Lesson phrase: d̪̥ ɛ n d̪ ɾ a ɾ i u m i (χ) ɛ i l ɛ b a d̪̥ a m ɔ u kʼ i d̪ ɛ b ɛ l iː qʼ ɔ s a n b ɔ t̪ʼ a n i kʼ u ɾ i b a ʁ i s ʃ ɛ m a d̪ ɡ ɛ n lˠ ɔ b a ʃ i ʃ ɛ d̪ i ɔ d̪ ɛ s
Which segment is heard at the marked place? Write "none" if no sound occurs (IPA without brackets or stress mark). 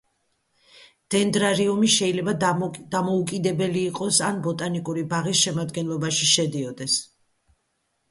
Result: ʃ